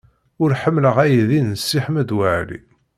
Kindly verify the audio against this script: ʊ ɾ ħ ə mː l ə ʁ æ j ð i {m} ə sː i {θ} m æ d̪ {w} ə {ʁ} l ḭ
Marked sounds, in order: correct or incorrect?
incorrect: n, incorrect: ħ, correct, incorrect: ʕ

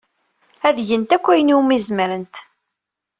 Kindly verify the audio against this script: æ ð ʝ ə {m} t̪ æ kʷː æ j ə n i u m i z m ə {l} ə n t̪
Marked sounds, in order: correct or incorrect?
incorrect: n, incorrect: ɾ

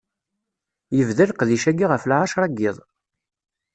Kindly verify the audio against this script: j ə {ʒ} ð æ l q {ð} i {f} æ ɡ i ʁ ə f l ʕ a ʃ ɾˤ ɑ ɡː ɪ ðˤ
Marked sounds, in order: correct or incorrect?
incorrect: v, correct, incorrect: ʃ

